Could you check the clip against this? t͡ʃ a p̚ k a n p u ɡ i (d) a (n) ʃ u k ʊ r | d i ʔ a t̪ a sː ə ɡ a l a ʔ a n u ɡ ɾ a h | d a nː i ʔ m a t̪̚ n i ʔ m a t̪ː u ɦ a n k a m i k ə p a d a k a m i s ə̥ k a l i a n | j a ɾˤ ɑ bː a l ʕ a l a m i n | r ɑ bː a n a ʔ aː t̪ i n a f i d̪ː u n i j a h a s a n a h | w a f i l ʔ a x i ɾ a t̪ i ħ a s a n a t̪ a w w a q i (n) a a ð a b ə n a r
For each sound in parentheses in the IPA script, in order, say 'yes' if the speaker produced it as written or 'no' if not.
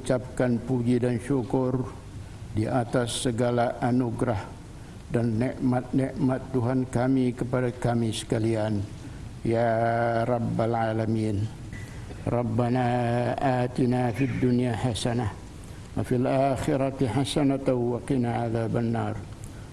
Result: yes, yes, yes

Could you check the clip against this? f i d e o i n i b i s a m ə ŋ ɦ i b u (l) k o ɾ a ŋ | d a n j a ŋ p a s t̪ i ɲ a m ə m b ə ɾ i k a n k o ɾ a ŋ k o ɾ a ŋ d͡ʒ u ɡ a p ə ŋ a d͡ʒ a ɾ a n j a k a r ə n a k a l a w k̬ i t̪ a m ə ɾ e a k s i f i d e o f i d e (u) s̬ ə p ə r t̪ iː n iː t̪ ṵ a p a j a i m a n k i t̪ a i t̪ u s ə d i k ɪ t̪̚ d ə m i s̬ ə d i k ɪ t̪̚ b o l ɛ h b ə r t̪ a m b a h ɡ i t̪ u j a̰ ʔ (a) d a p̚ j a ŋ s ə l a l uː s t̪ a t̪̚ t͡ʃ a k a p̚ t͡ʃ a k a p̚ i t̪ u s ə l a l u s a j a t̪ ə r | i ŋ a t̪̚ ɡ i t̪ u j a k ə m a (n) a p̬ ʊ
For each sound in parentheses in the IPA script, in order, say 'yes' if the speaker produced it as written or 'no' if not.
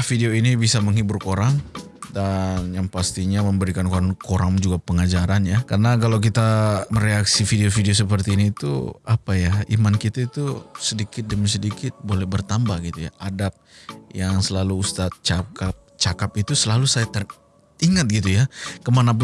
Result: no, no, yes, yes

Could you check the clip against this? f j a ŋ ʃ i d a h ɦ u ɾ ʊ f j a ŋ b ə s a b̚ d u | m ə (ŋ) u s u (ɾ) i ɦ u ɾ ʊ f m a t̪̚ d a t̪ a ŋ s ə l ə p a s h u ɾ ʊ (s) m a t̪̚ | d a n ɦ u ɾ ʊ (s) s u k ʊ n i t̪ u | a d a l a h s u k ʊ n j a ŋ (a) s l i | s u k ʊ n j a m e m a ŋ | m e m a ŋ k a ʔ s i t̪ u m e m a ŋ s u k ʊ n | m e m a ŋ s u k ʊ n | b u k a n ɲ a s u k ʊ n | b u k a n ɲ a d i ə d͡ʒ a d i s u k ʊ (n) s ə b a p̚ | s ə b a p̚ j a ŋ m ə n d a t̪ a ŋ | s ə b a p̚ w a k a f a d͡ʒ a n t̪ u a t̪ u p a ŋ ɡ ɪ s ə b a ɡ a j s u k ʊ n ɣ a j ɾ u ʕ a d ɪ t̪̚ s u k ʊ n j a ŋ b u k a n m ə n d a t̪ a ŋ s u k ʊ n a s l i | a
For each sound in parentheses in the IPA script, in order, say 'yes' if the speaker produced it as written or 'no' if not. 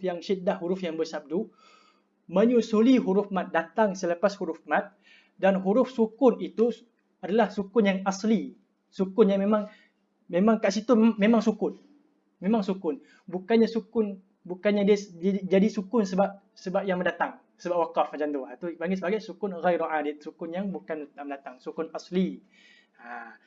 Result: no, no, no, no, yes, yes

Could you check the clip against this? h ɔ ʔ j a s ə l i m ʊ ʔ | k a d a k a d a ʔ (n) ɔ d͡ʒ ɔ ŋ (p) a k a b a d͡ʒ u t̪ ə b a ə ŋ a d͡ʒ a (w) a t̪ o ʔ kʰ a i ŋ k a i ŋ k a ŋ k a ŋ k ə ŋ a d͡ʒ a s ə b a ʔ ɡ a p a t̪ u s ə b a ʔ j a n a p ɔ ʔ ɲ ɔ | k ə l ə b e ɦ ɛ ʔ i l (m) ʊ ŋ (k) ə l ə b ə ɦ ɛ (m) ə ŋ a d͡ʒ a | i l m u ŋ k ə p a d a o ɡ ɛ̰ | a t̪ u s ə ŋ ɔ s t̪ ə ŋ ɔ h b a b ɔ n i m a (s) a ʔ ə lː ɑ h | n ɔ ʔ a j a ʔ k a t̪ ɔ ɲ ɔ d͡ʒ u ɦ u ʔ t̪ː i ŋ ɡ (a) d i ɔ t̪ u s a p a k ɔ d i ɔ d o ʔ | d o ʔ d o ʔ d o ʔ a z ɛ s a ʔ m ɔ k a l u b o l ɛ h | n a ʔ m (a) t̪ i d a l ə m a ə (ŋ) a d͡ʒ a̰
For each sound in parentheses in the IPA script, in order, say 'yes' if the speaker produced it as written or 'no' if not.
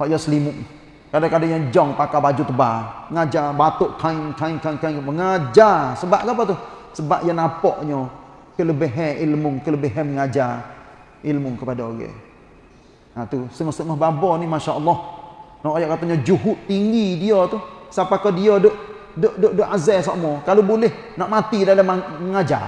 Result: no, yes, no, yes, yes, yes, no, no, yes, yes

